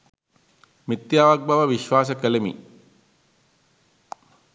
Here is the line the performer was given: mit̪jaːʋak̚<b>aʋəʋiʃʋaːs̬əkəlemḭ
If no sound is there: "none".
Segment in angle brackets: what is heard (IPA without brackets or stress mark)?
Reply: b